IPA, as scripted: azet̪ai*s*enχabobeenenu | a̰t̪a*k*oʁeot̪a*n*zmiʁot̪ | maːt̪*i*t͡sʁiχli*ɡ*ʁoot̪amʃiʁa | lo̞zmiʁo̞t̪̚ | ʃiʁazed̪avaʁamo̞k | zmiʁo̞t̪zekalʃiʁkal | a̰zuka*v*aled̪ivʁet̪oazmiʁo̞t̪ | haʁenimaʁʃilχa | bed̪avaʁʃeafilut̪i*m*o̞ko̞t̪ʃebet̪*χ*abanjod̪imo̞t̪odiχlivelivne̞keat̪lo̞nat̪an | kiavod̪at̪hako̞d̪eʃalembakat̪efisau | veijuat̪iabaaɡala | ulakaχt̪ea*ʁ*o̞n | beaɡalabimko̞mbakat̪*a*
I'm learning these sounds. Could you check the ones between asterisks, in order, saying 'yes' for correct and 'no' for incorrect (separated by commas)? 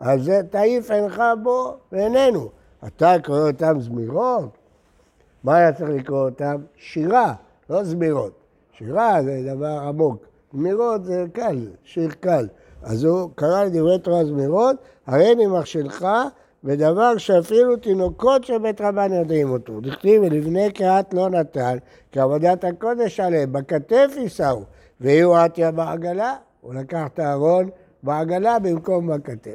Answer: no, yes, no, no, no, no, no, no, yes, no